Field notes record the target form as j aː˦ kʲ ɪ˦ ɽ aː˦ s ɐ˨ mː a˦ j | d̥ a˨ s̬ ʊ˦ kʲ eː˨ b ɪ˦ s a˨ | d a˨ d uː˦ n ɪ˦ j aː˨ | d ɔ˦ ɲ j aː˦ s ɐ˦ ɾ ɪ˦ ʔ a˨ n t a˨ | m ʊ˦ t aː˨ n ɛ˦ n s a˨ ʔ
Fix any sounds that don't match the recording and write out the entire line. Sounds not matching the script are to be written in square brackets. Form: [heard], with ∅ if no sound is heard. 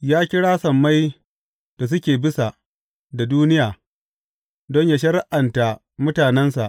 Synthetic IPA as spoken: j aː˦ kʲ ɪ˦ ɽ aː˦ s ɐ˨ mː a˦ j | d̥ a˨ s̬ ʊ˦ kʲ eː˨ b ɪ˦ s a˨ | d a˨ d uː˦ n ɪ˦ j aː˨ | d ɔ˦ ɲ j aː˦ [ʃ] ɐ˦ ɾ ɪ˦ ʔ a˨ n t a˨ | m ʊ˦ t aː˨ n ɛ˦ n s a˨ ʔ